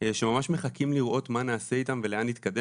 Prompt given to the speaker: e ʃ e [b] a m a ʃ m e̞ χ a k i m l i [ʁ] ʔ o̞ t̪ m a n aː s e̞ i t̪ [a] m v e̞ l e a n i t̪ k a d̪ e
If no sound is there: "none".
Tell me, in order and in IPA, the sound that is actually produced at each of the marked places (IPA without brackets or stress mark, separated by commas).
m, ʁ, a